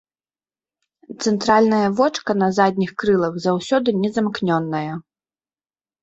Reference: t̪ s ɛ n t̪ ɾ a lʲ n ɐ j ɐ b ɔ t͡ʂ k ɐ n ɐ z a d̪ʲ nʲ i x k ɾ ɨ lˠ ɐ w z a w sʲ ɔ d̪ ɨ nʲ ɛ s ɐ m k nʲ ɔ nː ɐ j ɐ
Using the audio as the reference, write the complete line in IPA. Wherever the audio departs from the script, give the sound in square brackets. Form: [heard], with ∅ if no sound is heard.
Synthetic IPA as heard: t̪ s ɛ n t̪ ɾ a lʲ n ɐ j ɐ [v] ɔ t͡ʂ k ɐ n ɐ z a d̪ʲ nʲ i x k ɾ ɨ lˠ ɐ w z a w sʲ ɔ d̪ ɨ nʲ ɛ [z] ɐ m k nʲ ɔ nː ɐ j ɐ